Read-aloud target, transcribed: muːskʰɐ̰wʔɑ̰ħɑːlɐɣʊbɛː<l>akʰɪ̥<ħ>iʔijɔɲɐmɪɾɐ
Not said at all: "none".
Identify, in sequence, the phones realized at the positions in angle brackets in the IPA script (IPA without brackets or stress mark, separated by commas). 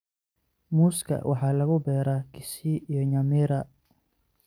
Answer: ɾ, s